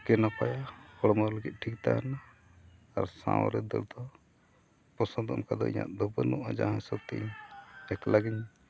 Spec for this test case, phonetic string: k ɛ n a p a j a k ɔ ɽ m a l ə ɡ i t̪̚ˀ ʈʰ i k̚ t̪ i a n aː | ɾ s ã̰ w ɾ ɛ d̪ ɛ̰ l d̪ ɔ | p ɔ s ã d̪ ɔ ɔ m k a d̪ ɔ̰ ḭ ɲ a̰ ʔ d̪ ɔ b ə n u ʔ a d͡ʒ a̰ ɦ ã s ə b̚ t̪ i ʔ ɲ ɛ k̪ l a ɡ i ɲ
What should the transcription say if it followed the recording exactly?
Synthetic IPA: k ɛ n a p a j a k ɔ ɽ m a l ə ɡ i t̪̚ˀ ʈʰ i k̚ t̪ a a n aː | ɾ s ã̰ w ɾ ɛ d̪ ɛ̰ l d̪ ɔ | p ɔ s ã d̪ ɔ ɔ m k a d̪ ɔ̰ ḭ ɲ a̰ ʔ d̪ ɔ b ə n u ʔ a d͡ʒ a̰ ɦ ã s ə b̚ t̪ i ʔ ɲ ɛ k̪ l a ɡ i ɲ